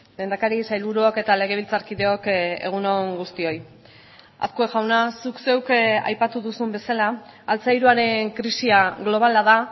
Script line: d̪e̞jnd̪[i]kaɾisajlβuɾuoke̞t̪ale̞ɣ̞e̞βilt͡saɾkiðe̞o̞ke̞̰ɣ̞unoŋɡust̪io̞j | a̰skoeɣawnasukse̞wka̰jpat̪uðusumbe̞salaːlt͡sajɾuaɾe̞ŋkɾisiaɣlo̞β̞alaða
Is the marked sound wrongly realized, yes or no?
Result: yes